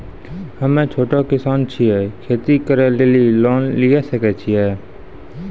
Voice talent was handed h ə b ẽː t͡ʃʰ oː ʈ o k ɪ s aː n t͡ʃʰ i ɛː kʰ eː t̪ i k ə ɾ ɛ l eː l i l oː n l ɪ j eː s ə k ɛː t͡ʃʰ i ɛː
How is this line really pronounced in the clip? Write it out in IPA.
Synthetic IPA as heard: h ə m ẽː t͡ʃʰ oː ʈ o k ɪ s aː n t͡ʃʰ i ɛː kʰ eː t̪ i k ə ɾ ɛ l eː l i l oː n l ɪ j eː s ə k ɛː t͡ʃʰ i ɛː